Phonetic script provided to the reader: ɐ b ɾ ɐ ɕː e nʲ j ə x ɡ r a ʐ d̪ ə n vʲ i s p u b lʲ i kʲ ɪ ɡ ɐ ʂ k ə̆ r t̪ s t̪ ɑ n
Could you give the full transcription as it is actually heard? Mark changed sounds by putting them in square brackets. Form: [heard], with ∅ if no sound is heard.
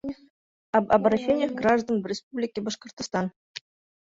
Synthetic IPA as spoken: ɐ b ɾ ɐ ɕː e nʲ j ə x ɡ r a ʐ d̪ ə n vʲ [ɪ] s p u b lʲ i kʲ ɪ [b] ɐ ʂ k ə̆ r t̪ s t̪ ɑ n